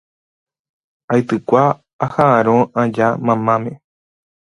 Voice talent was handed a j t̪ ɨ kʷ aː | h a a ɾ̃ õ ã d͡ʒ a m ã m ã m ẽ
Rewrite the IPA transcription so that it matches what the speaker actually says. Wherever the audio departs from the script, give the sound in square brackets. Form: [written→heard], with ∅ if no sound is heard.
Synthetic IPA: a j t̪ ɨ kʷ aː | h a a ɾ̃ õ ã d͡ʒ a m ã m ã m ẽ

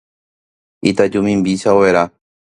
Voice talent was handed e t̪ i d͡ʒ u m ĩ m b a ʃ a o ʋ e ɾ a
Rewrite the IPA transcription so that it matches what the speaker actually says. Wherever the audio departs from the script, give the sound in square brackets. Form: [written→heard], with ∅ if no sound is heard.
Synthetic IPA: [e→i] t̪ [i→a] d͡ʒ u m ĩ m b [a→i] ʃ a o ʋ e ɾ a

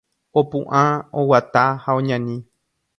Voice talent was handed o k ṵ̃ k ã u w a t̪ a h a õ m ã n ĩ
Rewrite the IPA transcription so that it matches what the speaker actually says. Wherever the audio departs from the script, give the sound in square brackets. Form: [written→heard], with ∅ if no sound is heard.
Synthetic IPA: o [k→p] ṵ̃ [k→ʔ] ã [u→o] w a t̪ a h a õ [m→ɲ] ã n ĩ

